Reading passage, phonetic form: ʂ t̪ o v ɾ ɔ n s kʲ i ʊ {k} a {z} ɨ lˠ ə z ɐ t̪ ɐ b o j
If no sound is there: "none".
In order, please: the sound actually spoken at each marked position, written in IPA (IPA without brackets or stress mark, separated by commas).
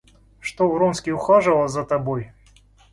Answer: x, ʐ